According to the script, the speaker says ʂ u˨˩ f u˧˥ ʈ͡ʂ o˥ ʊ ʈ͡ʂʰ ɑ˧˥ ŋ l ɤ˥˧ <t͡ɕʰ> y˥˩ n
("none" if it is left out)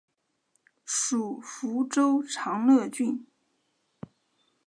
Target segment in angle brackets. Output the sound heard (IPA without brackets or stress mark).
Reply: t͡ɕ